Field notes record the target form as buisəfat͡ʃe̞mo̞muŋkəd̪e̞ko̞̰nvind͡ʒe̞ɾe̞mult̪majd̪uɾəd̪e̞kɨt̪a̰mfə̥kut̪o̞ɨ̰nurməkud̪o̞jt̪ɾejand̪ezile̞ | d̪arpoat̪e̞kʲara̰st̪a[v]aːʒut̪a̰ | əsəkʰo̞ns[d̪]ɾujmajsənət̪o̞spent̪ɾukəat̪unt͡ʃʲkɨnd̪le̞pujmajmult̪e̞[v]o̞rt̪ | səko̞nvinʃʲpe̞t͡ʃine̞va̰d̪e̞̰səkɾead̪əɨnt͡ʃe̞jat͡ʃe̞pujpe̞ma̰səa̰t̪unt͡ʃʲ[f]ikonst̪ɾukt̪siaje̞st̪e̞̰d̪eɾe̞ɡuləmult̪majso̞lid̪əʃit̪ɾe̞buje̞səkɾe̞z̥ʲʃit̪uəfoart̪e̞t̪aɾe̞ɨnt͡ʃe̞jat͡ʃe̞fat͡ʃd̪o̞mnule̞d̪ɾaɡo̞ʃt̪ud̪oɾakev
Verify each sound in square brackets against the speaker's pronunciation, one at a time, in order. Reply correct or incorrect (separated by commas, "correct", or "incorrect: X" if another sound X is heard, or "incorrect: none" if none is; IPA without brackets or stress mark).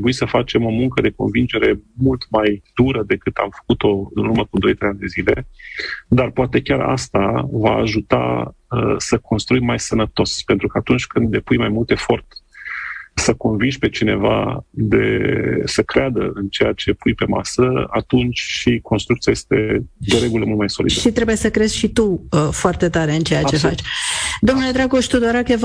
correct, incorrect: t̪, incorrect: f, incorrect: ʃ